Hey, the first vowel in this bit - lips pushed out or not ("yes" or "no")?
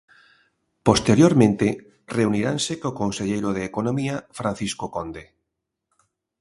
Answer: yes